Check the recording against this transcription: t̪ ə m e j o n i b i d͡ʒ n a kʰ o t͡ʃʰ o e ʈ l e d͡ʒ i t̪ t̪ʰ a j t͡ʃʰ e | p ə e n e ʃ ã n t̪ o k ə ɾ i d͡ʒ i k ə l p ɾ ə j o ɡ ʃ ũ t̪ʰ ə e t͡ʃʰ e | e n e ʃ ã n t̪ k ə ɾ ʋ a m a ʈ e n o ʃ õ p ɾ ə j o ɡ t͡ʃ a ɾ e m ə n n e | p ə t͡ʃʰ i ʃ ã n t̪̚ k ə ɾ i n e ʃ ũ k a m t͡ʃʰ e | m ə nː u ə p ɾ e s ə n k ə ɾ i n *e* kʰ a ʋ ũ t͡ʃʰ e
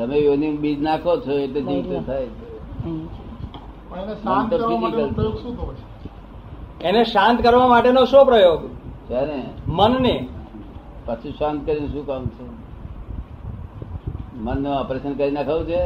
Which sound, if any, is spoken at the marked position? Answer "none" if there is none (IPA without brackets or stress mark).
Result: a